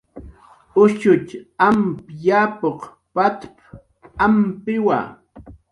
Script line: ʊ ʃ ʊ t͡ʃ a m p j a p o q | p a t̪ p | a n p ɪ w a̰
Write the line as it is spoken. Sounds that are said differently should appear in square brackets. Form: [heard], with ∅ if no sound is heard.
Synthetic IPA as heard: ʊ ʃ ʊ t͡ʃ a m p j a p o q | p a t̪ p | a [m] p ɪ w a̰